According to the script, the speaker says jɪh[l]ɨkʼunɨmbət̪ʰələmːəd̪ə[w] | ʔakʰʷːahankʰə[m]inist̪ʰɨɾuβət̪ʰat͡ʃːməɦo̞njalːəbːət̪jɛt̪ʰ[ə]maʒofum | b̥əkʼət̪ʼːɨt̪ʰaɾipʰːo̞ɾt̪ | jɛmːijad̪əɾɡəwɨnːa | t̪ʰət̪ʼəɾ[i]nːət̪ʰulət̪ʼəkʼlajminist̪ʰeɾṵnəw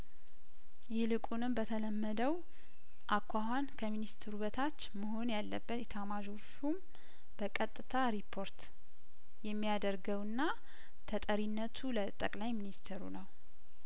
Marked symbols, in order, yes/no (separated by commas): yes, yes, yes, no, yes